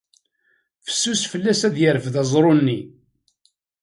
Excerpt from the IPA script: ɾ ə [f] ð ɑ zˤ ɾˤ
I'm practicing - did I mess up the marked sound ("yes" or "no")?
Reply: no